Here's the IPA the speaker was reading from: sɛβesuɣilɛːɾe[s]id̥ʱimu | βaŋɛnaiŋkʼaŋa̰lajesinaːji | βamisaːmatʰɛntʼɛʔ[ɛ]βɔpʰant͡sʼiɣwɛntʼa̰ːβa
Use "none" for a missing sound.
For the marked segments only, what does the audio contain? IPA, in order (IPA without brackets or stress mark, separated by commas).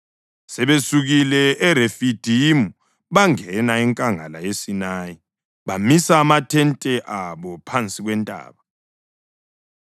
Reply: f, a